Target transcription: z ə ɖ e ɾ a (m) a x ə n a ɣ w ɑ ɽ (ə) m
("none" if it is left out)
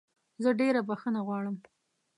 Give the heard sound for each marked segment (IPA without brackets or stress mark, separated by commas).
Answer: b, ə